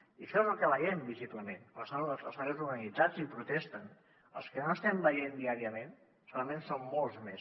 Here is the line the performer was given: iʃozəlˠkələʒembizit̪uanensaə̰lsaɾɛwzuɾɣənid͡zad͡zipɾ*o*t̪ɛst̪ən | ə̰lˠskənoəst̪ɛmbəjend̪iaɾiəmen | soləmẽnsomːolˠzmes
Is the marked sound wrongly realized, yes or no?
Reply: yes